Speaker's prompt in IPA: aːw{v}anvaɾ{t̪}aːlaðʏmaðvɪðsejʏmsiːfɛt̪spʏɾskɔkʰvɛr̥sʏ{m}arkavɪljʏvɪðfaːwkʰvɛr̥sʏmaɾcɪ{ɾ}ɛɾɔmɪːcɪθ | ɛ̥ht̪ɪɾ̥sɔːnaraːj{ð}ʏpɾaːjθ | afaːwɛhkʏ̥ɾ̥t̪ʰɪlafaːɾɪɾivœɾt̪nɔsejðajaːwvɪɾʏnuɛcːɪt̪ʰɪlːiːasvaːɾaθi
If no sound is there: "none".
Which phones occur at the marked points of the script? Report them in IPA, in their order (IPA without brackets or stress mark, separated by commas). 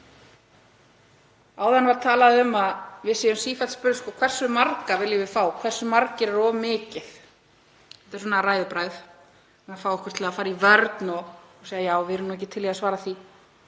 ð, t̪ʰ, m, ɾ, ð